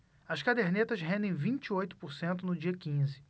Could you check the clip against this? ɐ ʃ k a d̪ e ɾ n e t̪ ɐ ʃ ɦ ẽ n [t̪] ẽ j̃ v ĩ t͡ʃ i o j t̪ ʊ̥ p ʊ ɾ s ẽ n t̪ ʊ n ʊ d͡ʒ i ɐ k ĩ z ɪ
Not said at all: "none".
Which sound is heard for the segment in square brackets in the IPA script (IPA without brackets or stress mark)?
d̪